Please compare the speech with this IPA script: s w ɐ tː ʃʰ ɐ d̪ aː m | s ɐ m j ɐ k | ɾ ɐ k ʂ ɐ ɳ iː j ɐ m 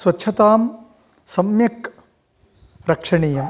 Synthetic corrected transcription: s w ɐ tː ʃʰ ɐ t̪ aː m | s ɐ m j ɐ k | ɾ ɐ k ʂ ɐ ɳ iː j ɐ m